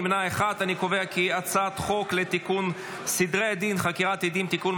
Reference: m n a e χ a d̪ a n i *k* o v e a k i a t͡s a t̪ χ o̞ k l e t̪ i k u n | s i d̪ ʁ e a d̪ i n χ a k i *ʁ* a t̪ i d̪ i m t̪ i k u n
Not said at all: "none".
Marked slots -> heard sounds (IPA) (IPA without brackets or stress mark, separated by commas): k, ʁ